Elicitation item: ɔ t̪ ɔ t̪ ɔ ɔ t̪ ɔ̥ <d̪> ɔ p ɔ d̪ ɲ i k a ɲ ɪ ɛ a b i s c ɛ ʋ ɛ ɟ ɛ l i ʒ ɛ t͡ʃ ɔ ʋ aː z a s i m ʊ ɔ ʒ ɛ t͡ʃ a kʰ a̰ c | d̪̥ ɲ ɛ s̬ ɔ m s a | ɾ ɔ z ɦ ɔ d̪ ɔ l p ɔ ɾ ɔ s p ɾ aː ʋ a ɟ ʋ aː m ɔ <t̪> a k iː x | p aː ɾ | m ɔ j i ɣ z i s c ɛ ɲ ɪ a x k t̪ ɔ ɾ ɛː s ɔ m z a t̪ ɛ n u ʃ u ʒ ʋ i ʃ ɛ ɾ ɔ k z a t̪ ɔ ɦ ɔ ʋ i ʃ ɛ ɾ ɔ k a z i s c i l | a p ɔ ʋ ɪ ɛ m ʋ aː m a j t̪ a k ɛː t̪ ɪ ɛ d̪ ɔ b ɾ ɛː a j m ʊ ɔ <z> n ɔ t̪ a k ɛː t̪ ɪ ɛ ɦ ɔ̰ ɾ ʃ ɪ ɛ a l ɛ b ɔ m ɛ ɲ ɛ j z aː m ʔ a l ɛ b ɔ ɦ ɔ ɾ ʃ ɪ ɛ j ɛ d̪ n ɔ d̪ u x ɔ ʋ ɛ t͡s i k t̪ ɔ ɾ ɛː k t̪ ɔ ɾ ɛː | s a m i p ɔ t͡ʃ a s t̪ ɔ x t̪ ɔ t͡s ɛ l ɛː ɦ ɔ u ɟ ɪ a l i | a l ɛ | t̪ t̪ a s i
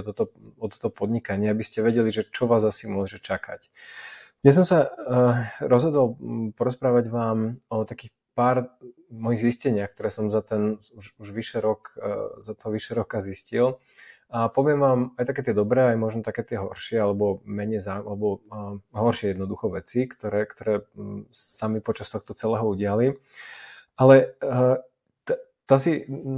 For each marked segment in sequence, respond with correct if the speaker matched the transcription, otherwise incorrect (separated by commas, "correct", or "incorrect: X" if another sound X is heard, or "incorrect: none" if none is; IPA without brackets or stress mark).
incorrect: t̪, correct, incorrect: ʒ